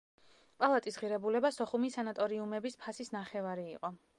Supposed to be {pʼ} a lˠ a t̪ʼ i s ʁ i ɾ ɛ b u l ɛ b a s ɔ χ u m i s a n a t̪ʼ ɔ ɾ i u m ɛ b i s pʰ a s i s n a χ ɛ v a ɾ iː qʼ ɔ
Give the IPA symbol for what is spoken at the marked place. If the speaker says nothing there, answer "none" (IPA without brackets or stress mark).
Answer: pʼ